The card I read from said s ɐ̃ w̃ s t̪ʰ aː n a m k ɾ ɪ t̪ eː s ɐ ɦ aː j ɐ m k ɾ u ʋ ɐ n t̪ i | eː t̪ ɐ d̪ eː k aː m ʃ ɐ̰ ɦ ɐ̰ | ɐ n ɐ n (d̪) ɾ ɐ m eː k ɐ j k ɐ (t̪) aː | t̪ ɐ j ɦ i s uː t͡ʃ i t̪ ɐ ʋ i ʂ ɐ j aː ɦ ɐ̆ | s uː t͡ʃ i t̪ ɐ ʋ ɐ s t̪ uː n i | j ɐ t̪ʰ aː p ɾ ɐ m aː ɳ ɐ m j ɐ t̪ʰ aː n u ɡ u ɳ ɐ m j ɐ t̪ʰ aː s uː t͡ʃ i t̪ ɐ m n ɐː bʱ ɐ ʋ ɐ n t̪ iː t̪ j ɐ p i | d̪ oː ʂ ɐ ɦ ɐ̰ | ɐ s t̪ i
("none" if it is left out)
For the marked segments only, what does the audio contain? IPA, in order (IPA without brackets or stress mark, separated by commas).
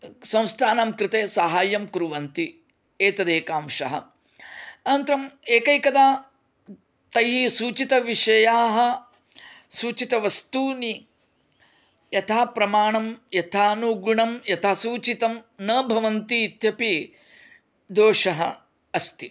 t̪, d̪